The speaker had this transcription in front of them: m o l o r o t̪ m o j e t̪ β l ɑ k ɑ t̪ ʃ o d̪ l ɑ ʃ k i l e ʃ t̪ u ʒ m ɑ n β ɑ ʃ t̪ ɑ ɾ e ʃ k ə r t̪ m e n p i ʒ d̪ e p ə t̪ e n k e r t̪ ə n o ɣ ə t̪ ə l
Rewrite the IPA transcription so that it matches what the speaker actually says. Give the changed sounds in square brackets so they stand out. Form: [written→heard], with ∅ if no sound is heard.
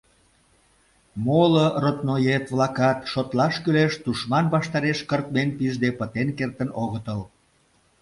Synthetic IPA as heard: m o l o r o t̪ [m→n] o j e t̪ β l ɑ k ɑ t̪ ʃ o [d̪→t̪] l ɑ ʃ k [i→y] l e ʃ t̪ u [ʒ→ʃ] m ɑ n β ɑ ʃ t̪ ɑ ɾ e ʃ k ə r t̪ m e n p i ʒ d̪ e p ə t̪ e n k e r t̪ ə n o ɣ ə t̪ ə l